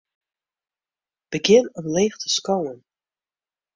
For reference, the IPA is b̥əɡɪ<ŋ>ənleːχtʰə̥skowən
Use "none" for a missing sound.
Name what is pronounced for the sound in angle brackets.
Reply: n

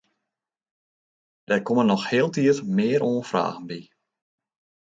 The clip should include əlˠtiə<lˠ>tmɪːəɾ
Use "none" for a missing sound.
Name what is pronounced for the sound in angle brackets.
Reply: none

